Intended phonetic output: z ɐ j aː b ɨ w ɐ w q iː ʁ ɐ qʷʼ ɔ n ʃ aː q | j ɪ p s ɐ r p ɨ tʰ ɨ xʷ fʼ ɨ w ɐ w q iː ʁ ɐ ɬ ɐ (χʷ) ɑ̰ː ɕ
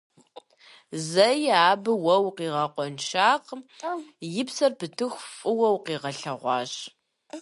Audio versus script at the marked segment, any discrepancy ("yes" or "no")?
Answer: yes